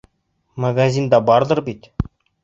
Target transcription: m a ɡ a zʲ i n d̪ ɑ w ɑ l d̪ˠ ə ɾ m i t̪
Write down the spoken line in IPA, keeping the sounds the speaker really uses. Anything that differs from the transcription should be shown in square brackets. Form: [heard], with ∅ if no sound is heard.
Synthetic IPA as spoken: m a ɡ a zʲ i n d̪ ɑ [b] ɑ [ɾ] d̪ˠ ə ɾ [b] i t̪